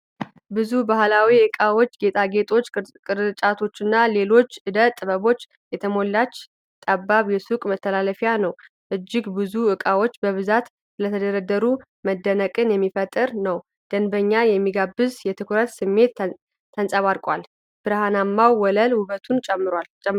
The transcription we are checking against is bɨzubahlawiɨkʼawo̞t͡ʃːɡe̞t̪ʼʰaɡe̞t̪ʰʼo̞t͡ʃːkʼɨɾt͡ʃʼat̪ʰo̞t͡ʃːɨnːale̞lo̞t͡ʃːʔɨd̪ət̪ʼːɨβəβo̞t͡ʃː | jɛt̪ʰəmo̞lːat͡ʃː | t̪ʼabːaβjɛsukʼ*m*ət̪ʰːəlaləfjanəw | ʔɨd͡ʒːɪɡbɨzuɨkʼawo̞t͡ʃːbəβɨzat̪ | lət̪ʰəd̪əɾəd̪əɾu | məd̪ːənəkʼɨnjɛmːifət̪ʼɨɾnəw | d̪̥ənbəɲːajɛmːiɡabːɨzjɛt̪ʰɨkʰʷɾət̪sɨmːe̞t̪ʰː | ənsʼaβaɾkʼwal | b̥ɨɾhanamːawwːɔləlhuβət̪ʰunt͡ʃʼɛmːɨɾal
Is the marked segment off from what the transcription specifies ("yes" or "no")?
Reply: no